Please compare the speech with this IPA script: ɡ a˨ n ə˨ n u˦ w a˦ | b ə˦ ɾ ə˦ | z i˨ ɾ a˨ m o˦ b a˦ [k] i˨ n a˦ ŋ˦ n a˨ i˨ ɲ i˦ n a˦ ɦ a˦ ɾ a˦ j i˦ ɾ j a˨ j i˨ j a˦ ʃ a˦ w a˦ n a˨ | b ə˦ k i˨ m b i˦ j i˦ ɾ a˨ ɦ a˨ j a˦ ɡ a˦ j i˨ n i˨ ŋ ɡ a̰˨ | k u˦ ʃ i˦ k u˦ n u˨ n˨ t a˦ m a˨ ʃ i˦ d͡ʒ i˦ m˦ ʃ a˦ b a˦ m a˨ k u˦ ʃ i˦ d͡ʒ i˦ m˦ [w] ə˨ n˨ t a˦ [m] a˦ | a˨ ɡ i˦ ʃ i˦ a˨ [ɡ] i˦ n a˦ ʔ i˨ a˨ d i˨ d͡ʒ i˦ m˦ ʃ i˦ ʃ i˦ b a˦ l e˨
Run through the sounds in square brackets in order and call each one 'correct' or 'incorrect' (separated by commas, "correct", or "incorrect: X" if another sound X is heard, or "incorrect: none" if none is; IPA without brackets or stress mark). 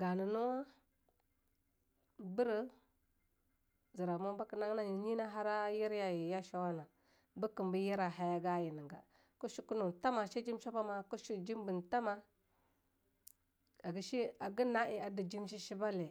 correct, incorrect: b, correct, correct